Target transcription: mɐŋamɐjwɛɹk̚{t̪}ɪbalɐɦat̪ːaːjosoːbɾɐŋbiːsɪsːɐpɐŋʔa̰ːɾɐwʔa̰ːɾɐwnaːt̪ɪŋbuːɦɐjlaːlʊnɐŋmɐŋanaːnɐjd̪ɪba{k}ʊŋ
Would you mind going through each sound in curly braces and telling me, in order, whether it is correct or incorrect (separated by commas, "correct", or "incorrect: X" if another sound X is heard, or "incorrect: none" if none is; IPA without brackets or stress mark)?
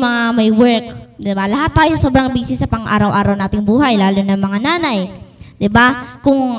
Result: incorrect: d̪, correct